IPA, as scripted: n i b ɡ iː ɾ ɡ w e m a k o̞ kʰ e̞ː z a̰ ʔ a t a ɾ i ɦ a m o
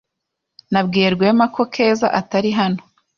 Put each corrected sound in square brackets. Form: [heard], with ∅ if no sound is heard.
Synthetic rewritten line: n [a] b ɡ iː ɾ ɡ w e m a k o̞ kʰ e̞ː z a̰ ʔ a t a ɾ i ɦ a [n] o